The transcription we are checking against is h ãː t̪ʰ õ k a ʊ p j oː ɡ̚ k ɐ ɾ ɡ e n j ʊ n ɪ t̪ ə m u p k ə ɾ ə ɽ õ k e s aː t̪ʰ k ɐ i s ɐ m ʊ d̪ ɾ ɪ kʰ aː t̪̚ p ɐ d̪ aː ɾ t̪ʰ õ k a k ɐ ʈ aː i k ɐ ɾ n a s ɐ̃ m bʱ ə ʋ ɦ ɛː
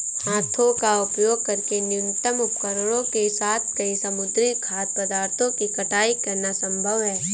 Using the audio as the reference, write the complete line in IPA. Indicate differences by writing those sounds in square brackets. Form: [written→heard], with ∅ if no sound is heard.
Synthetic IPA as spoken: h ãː t̪ʰ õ k a ʊ p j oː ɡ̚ k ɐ ɾ [ɡ→k] e n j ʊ n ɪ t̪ ə m [u→ʊ] p k ə ɾ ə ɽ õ k e s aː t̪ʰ k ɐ i s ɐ m ʊ d̪ ɾ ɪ kʰ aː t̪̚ p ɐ d̪ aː ɾ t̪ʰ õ k [a→i] k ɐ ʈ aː i k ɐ ɾ n a s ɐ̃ m bʱ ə ʋ ɦ ɛː